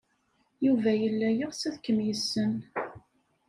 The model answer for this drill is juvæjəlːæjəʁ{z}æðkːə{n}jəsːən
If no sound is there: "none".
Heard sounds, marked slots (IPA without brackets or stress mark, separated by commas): s, m